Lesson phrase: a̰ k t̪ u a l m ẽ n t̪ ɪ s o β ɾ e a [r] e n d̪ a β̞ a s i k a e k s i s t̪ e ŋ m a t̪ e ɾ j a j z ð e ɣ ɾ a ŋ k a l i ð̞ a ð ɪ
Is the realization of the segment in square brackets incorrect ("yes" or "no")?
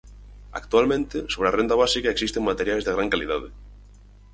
no